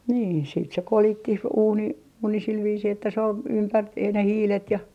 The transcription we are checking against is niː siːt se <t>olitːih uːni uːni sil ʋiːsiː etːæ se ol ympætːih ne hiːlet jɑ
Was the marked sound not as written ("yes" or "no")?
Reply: yes